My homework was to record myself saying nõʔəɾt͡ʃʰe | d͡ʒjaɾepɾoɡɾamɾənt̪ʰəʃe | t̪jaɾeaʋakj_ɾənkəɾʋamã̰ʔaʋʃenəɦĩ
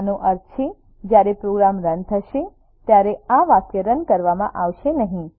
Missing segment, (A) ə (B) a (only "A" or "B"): A